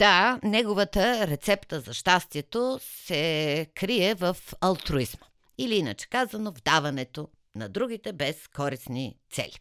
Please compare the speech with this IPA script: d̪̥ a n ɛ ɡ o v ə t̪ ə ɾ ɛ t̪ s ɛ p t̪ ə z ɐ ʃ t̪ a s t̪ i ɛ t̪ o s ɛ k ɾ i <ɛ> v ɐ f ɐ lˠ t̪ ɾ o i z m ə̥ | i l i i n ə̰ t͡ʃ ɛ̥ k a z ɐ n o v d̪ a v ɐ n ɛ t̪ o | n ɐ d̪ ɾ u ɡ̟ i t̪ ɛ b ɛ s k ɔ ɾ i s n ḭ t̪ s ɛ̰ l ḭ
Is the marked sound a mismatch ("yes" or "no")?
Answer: no